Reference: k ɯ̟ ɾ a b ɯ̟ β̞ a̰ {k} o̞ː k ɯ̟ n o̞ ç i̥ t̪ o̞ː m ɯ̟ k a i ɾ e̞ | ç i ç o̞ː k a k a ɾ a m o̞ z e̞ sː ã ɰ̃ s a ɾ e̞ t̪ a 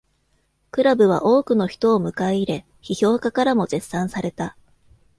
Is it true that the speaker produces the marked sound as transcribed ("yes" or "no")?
no